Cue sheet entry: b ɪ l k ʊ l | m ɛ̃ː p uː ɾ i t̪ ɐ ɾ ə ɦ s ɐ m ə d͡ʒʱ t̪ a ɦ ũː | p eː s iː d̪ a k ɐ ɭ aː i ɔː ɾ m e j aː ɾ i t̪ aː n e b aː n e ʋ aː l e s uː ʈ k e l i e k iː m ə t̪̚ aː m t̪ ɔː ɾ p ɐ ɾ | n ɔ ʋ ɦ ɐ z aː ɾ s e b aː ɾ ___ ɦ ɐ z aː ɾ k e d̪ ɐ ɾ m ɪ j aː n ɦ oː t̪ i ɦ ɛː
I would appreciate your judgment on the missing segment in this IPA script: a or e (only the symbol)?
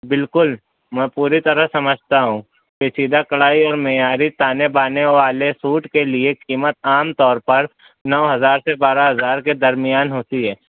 a